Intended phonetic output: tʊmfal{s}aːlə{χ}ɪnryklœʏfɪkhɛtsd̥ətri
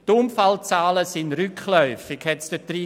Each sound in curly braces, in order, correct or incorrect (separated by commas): incorrect, incorrect